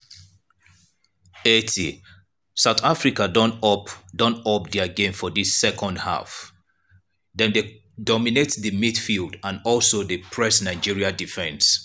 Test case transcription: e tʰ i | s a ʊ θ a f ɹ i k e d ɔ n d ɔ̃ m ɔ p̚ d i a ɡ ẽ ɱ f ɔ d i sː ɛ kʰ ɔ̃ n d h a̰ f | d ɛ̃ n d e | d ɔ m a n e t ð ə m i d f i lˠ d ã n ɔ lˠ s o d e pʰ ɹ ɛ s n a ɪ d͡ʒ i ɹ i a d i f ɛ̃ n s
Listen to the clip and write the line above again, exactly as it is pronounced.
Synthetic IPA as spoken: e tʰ i | s a ʊ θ a f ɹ i k a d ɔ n d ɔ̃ n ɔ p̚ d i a ɡ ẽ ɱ f ɔ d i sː ɛ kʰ ɔ̃ n d h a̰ f | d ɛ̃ n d e | d ɔ m i n e t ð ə m i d f i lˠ d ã n ɔ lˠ s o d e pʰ ɹ ɛ s n a ɪ d͡ʒ i ɹ i a d i f ɛ̃ n s